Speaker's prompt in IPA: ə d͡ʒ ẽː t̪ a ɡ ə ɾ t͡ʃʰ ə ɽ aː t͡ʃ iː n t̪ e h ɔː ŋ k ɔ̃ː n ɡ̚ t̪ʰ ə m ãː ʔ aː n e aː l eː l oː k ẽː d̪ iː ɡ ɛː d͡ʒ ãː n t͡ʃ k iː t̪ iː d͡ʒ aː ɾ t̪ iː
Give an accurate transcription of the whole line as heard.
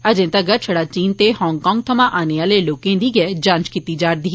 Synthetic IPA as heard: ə d͡ʒ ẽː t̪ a ɡ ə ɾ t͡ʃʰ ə ɽ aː t͡ʃ iː n t̪ e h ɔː ŋ k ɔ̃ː ŋ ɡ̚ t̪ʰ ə m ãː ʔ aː n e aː l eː l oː k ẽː d̪ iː ɡ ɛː d͡ʒ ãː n t͡ʃ k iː t̪ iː d͡ʒ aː ɾ d̪ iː